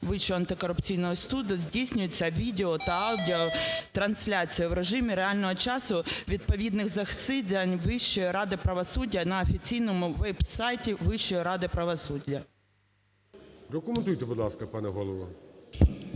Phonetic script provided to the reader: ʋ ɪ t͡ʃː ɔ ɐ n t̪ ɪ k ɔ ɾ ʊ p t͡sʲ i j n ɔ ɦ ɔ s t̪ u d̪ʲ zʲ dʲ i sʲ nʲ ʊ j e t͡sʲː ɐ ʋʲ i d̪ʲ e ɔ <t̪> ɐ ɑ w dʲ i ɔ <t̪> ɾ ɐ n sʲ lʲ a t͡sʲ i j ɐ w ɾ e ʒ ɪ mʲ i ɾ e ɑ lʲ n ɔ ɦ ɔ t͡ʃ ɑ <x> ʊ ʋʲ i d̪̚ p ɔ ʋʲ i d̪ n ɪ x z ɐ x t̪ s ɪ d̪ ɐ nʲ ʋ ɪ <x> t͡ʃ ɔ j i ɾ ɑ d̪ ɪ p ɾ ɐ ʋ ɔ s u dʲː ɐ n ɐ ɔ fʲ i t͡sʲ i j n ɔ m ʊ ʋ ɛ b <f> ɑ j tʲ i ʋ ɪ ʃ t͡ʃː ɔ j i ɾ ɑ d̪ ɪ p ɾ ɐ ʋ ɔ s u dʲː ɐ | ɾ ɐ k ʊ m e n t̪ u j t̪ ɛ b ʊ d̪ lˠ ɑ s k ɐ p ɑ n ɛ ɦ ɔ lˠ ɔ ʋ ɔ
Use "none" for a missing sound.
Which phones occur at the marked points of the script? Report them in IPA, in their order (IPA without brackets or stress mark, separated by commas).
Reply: t̪, t̪, s, ʃ, s